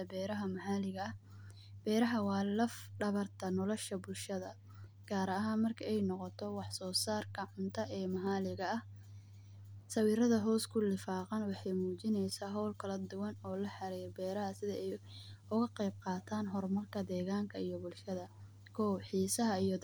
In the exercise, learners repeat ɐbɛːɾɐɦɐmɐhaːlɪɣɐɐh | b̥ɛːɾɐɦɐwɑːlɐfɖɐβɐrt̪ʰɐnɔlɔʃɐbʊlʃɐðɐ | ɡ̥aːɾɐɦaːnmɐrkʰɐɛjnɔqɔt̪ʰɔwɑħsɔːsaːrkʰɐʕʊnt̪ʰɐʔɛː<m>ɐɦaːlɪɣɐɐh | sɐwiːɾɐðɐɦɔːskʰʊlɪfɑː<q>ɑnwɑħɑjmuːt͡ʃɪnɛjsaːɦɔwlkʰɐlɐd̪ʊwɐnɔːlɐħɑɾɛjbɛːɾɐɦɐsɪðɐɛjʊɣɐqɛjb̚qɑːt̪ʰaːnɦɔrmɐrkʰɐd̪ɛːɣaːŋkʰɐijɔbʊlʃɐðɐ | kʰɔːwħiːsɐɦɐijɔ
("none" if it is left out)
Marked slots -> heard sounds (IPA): m, q

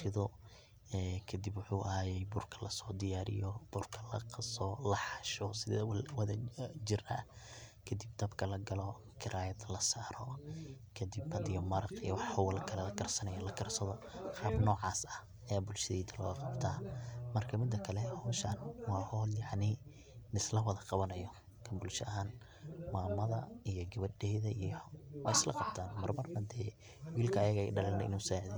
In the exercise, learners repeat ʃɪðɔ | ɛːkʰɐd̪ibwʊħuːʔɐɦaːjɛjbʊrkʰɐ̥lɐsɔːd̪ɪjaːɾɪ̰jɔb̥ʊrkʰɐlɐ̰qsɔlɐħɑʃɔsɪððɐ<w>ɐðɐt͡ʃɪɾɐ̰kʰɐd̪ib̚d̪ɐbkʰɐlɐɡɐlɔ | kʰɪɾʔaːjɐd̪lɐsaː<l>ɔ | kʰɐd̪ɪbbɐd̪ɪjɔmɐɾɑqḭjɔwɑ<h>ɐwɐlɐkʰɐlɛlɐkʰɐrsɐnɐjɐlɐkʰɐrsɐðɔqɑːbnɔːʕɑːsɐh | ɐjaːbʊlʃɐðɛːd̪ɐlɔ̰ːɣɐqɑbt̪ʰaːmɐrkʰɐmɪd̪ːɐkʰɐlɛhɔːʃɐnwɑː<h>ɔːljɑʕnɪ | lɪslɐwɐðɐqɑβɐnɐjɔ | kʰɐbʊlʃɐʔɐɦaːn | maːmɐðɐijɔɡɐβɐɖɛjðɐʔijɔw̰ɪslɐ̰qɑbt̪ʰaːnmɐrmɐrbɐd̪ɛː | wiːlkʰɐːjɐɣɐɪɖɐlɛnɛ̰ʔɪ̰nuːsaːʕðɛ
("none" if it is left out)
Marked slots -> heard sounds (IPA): w, ɾ, ħ, h

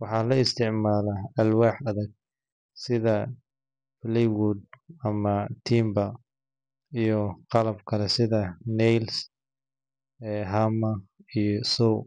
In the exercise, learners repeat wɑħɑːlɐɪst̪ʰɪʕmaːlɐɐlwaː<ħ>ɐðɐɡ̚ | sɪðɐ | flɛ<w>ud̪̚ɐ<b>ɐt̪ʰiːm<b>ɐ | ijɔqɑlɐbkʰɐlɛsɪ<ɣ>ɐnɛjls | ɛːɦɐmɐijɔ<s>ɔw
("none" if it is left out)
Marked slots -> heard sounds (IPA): ħ, w, m, b, ð, s

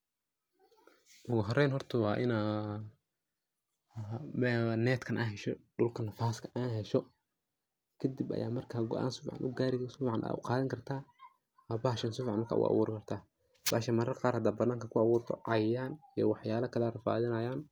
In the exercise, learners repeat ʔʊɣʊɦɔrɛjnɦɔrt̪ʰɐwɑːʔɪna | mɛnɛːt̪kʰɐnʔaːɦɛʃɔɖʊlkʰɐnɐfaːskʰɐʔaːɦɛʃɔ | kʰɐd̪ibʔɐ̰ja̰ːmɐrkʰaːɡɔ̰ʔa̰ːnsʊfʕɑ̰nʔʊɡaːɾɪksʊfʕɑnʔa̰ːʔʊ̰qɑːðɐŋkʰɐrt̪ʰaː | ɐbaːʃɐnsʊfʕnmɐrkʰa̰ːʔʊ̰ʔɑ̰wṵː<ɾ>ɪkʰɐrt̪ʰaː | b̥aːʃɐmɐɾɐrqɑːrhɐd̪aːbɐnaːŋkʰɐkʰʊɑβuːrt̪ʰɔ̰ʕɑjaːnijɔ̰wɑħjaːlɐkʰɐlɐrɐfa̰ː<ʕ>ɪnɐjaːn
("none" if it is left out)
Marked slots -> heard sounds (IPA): ɾ, ð

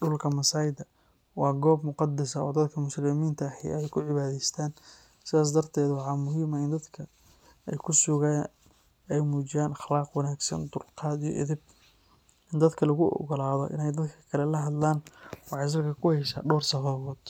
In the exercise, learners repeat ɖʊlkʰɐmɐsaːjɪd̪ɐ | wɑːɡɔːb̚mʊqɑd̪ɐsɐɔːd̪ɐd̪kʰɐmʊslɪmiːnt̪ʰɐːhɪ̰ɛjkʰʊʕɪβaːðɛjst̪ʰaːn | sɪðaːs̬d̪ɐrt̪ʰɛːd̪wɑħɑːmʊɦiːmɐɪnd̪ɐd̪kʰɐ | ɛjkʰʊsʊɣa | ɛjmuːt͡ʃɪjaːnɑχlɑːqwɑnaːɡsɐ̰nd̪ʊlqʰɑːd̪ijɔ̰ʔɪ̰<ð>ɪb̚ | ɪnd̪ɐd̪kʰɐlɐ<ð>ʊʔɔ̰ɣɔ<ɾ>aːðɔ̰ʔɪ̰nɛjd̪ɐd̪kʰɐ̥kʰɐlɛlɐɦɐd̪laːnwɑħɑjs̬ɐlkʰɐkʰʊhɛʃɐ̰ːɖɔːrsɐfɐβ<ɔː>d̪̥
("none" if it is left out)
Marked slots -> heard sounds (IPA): ð, ɣ, l, ɔː

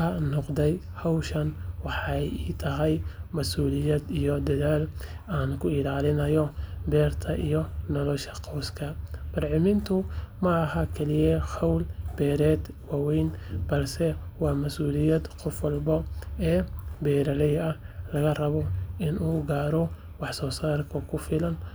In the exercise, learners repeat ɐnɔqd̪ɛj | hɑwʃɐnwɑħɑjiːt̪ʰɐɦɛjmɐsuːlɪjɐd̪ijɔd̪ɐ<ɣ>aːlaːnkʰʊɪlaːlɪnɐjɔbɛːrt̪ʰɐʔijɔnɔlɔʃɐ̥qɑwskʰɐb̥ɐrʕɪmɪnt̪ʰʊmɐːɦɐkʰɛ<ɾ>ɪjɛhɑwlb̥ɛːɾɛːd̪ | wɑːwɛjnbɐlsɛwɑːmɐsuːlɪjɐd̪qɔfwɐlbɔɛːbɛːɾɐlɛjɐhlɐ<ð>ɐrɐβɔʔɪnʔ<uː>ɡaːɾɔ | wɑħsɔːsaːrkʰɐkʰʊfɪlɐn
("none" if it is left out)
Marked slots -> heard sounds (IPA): ð, l, ɣ, uː

